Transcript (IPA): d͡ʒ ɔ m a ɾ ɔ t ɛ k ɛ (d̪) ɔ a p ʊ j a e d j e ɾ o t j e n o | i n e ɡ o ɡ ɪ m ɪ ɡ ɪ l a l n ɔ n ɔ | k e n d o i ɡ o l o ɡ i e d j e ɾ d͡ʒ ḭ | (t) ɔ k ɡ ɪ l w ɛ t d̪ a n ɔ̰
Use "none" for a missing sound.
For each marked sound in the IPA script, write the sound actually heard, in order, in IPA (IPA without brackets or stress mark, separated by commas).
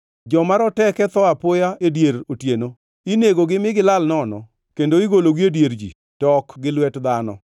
t̪, t